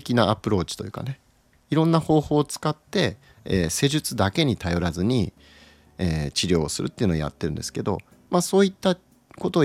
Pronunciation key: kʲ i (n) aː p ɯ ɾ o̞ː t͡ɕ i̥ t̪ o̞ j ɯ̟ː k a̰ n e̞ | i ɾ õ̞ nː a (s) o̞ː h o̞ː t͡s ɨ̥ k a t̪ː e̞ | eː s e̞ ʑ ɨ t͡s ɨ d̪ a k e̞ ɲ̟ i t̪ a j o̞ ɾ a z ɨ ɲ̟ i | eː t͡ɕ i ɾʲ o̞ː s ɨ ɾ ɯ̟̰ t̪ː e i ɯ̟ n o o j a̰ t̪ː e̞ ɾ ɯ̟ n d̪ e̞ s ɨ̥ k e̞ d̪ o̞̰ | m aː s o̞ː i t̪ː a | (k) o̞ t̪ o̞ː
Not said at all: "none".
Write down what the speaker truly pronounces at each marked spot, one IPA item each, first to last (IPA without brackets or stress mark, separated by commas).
n, h, k